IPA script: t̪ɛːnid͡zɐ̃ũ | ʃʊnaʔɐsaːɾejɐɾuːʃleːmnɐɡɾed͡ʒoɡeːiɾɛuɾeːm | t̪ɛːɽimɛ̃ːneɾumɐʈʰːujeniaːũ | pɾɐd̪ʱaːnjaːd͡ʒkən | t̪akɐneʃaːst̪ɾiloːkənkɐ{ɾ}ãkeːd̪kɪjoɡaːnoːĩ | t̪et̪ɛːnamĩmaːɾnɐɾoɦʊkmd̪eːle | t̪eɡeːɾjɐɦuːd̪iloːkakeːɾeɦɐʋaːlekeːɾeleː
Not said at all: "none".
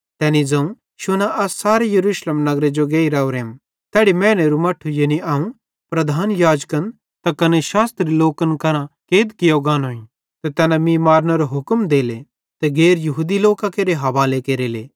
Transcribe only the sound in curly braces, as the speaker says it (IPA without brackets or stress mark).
ɾ